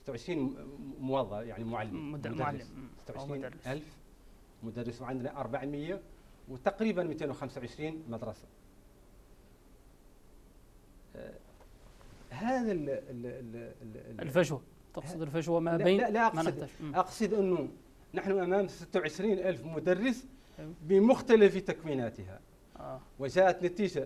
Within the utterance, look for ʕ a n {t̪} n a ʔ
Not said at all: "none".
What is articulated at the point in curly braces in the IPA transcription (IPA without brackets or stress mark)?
d̪